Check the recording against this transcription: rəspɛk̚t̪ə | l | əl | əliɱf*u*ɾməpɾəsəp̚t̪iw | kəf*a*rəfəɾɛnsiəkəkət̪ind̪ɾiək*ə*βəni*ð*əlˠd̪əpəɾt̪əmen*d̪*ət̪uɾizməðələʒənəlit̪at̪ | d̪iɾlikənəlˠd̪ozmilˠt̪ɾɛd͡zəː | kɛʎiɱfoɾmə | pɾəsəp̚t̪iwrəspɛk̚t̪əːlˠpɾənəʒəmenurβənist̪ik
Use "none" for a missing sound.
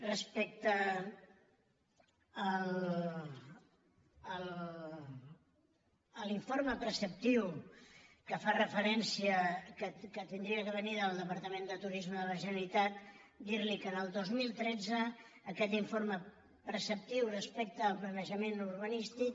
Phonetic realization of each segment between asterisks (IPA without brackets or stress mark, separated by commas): o, a, ə, ð, d̪